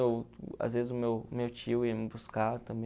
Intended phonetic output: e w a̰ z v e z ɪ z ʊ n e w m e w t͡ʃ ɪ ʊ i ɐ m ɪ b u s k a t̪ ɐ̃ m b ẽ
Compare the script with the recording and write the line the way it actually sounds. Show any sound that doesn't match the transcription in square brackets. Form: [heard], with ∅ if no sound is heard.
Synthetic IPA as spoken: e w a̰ z v e z ɪ z ʊ [m] e w m e w t͡ʃ [i] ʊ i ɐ m ɪ b u s k a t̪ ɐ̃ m b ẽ

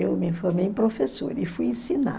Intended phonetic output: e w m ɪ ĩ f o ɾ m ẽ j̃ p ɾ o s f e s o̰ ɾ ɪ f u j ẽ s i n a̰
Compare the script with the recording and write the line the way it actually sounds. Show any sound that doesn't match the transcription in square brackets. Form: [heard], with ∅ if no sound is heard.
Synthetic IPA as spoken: e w m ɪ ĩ f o ɾ m [e] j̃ p ɾ o [∅] f e s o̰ ɾ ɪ f u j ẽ s i n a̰

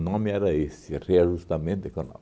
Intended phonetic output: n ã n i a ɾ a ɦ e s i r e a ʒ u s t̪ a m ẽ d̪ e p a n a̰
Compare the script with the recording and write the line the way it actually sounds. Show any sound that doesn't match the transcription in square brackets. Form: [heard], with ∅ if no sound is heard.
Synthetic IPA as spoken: n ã [m] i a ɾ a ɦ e s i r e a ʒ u s t̪ a m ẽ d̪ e [k] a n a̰

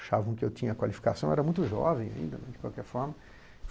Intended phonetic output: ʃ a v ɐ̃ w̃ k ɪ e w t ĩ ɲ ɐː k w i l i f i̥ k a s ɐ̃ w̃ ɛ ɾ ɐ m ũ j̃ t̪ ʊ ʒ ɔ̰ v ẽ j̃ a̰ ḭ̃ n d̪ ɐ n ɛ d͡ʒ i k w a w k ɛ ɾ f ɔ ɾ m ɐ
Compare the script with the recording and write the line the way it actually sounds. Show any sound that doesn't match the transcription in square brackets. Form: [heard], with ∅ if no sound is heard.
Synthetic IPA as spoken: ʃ a v ɐ̃ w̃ k ɪ e w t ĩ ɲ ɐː k w [a] l i f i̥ k a s ɐ̃ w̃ ɛ ɾ ɐ m ũ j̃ t̪ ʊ ʒ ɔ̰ v ẽ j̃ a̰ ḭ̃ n d̪ ɐ n ɛ d͡ʒ [ɪ] k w a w k ɛ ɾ f ɔ ɾ m ɐ

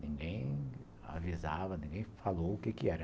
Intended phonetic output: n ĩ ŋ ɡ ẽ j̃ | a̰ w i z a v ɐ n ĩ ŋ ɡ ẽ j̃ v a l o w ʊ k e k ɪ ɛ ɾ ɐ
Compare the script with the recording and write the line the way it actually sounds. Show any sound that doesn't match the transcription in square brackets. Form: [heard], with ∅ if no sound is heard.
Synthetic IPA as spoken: n ĩ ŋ ɡ ẽ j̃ | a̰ [v] i z a v ɐ n ĩ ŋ ɡ ẽ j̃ [f] a l o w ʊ k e k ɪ ɛ ɾ ɐ

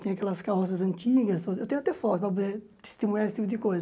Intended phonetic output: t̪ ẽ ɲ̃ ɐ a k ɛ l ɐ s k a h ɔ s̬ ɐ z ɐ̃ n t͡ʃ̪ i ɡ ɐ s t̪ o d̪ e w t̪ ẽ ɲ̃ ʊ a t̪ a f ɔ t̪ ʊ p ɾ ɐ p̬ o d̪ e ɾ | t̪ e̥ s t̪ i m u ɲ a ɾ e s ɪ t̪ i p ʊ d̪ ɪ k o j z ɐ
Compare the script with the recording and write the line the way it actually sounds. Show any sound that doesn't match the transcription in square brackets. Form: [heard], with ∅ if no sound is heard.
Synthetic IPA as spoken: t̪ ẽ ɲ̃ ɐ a k ɛ l ɐ s k a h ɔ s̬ ɐ z ɐ̃ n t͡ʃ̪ i ɡ ɐ s t̪ o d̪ e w t̪ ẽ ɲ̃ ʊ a t̪ [ɛ] f ɔ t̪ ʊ p ɾ ɐ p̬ o d̪ e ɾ | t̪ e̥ s t̪ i m u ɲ a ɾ e s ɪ t̪ i p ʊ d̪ ɪ k o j z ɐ

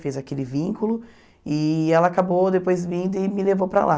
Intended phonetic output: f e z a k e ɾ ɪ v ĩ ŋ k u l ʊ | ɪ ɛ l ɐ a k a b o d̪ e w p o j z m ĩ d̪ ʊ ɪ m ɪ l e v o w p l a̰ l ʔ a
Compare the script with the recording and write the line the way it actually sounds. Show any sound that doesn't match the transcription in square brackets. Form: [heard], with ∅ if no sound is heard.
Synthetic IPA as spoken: f e z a k e [l] ɪ v ĩ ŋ k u l ʊ | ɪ ɛ l ɐ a k a b o d̪ e [∅] p o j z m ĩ d̪ ʊ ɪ m ɪ l e v o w p [ɾ] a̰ l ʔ a

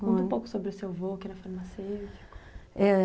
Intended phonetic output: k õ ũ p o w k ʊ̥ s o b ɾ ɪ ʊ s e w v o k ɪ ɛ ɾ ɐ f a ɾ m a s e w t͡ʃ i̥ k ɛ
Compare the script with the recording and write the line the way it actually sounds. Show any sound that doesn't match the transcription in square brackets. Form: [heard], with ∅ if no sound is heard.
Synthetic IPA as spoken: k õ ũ p o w k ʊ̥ s o b ɾ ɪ ʊ s e w v o k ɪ ɛ ɾ ɐ f a ɾ m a s e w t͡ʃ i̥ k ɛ

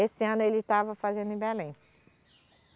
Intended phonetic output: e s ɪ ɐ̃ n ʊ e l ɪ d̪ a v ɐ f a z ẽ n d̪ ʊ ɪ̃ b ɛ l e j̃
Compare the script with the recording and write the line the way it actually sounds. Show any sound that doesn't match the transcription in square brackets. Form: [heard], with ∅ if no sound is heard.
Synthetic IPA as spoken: e s ɪ ɐ̃ n ʊ e l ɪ [t̪] a v ɐ f a z ẽ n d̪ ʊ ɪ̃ b ɛ l [ẽ] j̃

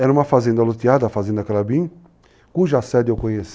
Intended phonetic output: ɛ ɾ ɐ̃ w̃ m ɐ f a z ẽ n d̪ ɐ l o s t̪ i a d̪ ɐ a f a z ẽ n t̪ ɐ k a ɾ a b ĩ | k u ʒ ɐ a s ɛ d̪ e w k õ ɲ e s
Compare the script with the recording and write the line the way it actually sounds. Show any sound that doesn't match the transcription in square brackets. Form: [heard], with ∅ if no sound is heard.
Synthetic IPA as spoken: ɛ ɾ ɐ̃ [ũ] m ɐ f a z ẽ n d̪ ɐ l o [∅] t̪ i a d̪ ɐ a f a z ẽ n [d̪] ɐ k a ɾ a b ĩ | k u ʒ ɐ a s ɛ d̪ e w k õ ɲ e s

